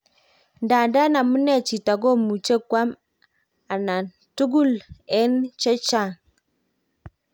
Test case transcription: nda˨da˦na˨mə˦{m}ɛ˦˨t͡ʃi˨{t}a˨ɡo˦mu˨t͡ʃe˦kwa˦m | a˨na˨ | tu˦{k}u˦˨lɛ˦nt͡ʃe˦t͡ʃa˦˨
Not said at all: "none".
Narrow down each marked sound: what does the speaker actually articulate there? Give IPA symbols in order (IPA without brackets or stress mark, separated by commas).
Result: n, t, ɡ